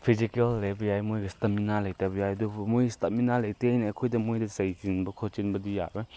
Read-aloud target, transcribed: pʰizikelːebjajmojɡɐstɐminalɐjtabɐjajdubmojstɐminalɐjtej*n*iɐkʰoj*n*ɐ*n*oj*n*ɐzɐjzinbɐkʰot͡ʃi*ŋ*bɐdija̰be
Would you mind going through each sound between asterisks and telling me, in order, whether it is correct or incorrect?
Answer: correct, incorrect: d, incorrect: m, incorrect: d, incorrect: n

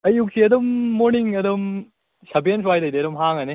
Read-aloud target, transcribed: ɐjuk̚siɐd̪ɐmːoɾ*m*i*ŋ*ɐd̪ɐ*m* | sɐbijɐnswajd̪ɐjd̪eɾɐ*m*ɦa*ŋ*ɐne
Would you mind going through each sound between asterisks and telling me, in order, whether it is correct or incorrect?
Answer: incorrect: n, correct, correct, correct, correct

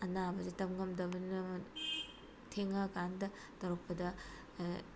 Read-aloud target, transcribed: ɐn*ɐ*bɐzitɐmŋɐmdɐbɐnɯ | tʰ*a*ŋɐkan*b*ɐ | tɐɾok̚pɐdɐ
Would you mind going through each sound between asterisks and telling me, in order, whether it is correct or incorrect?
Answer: incorrect: a, incorrect: e, incorrect: d

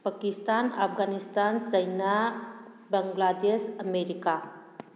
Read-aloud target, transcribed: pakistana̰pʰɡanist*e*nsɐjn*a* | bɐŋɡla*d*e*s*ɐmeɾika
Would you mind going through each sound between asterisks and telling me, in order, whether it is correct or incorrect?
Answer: incorrect: a, correct, correct, correct

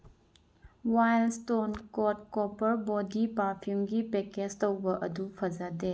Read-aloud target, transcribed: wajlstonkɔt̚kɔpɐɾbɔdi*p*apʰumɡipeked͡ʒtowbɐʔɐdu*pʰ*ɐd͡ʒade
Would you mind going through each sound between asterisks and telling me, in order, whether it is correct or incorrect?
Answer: correct, correct

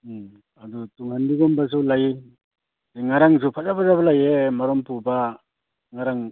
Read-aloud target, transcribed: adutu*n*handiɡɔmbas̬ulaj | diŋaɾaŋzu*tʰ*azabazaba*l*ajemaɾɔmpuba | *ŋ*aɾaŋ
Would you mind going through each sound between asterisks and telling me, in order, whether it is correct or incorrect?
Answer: incorrect: ŋ, incorrect: pʰ, correct, correct

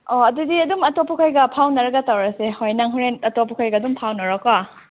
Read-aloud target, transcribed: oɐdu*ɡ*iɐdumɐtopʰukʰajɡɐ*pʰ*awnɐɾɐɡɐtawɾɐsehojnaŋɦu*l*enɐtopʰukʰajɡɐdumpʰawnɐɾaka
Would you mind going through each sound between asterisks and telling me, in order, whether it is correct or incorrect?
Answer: incorrect: d, correct, incorrect: ɾ

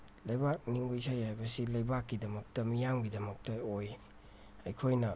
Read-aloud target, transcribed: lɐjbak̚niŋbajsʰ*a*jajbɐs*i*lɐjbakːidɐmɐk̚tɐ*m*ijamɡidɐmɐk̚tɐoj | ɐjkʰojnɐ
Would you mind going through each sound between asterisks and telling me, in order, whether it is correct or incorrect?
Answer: correct, correct, correct

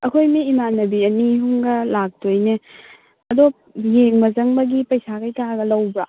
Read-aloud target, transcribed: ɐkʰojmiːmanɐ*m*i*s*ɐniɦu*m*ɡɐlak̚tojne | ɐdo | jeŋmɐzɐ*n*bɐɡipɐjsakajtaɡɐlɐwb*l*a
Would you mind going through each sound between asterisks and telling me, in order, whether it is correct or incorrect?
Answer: incorrect: b, incorrect: none, incorrect: ŋ, incorrect: ŋ, incorrect: ɾ

